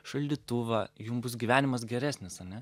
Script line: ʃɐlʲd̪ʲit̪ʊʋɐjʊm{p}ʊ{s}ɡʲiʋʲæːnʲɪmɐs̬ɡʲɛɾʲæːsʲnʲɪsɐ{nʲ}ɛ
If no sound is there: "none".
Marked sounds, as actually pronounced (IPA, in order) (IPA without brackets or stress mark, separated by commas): b, s, nʲ